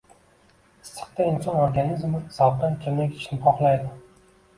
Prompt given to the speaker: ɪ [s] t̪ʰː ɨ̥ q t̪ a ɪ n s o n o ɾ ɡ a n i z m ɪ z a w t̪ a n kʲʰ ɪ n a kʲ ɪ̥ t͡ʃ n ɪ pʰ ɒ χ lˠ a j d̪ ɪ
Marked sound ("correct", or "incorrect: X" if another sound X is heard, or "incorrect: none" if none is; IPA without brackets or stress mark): correct